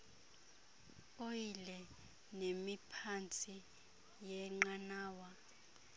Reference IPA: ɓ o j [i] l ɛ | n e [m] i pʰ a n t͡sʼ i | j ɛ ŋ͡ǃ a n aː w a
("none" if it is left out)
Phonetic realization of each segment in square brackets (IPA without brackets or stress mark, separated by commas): i, m